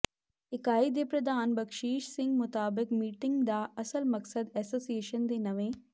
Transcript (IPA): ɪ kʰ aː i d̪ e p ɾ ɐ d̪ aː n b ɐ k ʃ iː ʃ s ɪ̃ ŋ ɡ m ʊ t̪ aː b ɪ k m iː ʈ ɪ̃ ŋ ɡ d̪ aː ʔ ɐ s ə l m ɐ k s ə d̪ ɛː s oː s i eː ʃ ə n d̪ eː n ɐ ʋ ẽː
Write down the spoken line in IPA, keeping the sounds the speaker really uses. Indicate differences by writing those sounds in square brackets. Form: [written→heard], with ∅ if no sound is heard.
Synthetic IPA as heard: ɪ [kʰ→k] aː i d̪ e p ɾ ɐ d̪ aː n b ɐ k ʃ iː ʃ s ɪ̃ ŋ ɡ m ʊ t̪ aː b ɪ k m iː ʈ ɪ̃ ŋ ɡ d̪ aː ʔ ɐ s ə l m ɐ k s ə d̪ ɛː s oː s i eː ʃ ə n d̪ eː n ɐ ʋ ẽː